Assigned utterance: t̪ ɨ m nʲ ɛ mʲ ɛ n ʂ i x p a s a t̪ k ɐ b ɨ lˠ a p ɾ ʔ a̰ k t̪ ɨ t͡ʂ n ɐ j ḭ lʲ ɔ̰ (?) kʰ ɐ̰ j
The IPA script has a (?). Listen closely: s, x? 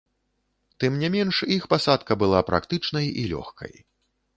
x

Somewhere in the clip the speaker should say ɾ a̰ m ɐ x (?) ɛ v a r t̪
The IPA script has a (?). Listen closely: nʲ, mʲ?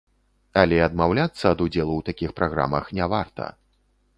nʲ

